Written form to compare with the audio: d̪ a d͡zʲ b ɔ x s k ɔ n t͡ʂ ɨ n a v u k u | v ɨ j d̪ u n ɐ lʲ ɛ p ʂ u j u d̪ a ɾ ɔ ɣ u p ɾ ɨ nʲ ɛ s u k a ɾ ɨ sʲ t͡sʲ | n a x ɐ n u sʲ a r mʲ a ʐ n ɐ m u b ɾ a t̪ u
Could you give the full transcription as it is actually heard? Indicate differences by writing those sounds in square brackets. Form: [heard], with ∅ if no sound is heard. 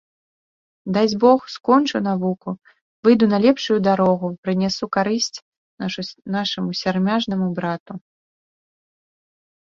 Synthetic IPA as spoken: d̪ a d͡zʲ b ɔ x s k ɔ n t͡ʂ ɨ n a v u k u | v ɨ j d̪ u n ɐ lʲ ɛ p ʂ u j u d̪ a ɾ ɔ ɣ u p ɾ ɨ nʲ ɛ s u k a ɾ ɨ sʲ t͡sʲ | n a [ʂ] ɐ [m] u sʲ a r mʲ a ʐ n ɐ m u b ɾ a t̪ u